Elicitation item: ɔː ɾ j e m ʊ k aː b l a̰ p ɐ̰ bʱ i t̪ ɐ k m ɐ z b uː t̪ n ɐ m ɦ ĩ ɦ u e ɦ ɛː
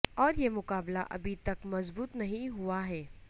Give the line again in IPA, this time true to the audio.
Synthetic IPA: ɔː ɾ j e m ʊ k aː b l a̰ ʔ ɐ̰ bʱ i t̪ ɐ k m ɐ z b uː t̪ n ɐ ɦ ĩ ɦ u a ɦ ɛː